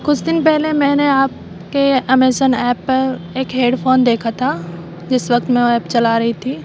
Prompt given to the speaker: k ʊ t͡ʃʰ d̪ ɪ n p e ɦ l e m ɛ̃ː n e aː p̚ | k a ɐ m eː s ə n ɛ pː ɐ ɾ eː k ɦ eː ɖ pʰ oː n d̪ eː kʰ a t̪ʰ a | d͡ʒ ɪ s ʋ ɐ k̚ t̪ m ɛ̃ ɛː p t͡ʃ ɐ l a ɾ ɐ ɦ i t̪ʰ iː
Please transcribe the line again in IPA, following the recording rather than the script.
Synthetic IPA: k ʊ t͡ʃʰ d̪ ɪ n p ɛ ɦ l e m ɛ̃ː n e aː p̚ | k e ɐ m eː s ə n ɛː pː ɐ ɾ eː k ɦ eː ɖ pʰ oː n d̪ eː kʰ a t̪ʰ a | d͡ʒ ɪ s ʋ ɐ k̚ t̪ m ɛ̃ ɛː p t͡ʃ ɐ l a ɾ ɐ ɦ i t̪ʰ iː

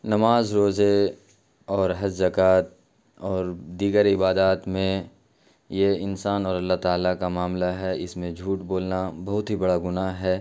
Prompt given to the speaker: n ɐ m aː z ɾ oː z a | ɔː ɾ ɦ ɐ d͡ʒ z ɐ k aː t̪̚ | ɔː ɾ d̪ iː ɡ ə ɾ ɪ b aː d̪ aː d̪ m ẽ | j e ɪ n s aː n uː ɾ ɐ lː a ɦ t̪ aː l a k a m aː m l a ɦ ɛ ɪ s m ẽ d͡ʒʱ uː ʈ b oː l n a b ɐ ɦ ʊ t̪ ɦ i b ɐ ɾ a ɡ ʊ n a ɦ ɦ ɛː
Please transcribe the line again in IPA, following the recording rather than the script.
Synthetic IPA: n ɐ m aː z ɾ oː z e | ɔː ɾ ɦ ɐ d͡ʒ z ɐ k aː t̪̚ | ɔː ɾ d̪ iː ɡ ə ɾ ɪ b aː d̪ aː t̪ m ẽ | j e ɪ n s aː n ɔː ɾ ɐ lː a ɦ t̪ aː l a k a m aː m l a ɦ ɛ ɪ s m ẽ d͡ʒʱ uː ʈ b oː l n a b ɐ ɦ ʊ t̪ ɦ i b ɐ ɽ a ɡ ʊ n a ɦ ɦ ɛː

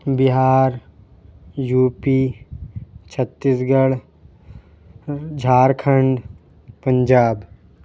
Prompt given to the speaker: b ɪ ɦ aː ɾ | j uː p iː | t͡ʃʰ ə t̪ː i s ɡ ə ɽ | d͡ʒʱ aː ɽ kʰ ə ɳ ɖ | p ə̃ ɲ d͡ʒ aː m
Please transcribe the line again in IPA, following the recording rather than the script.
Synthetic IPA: b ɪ ɦ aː ɾ | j uː p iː | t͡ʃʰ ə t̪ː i s ɡ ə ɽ | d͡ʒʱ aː ɾ kʰ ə ɳ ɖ | p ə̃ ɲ d͡ʒ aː b

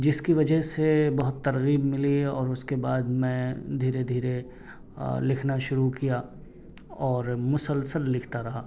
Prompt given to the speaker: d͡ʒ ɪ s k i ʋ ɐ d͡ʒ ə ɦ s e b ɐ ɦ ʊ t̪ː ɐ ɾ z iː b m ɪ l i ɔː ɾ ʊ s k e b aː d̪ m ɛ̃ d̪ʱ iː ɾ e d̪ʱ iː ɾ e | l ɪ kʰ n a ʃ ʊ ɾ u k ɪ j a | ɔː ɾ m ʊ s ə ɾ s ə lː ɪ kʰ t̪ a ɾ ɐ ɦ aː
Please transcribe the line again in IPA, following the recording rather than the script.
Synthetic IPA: d͡ʒ ɪ s k i ʋ ɐ d͡ʒ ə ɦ s e b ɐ ɦ ʊ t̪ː ɐ ɾ ɣ iː b m ɪ l i ɔː ɾ ʊ s k e b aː d̪ m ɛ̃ d̪ʱ iː ɾ e d̪ʱ iː ɾ e | l ɪ kʰ n a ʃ ʊ ɾ u k i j a | ɔː ɾ m ʊ s ə l s ə lː ɪ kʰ t̪ a ɾ ɐ ɦ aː

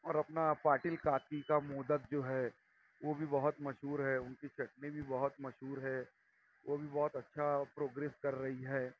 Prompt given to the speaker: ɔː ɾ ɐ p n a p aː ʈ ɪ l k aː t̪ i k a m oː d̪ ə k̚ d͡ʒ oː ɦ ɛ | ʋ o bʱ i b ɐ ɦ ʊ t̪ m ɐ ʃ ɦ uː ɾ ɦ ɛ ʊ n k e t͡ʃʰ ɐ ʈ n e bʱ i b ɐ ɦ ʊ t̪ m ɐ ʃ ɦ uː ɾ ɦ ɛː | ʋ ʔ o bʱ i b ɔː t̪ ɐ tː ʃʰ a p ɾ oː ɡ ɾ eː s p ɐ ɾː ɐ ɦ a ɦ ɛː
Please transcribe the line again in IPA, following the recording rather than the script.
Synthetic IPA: ɔː ɾ ɐ p n a p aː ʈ ɪ l k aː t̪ i k a m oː d̪ ə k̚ d͡ʒ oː ɦ ɛ | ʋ o bʱ i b ɐ ɦ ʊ t̪ m ɐ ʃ ɦ uː ɾ ɦ ɛ ʊ n k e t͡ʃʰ ɐ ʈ n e bʱ i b ɐ ɦ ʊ t̪ m ɐ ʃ ɦ uː ɾ ɦ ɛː | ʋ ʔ o bʱ i b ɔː t̪ ɐ tː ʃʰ a p ɾ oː ɡ ɾ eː s k ɐ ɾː ɐ ɦ i ɦ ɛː

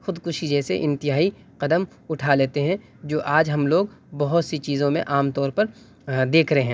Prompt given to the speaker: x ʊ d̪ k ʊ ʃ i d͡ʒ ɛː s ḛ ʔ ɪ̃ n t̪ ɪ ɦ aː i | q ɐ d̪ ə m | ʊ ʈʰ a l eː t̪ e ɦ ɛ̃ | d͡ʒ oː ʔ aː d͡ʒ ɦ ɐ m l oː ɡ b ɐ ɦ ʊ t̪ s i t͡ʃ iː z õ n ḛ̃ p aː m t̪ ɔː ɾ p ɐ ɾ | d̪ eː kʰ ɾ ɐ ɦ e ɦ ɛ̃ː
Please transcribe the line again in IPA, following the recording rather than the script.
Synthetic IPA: x ʊ d̪ k ʊ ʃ i d͡ʒ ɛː s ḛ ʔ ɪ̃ n t̪ ɪ ɦ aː i | q ɐ d̪ ə m | ʊ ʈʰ a l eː t̪ e ɦ ɛ̃ | d͡ʒ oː ʔ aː d͡ʒ ɦ ɐ m l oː ɡ b ɐ ɦ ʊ t̪ s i t͡ʃ iː z õ m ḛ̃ ʔ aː m t̪ ɔː ɾ p ɐ ɾ | d̪ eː kʰ ɾ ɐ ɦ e ɦ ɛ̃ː

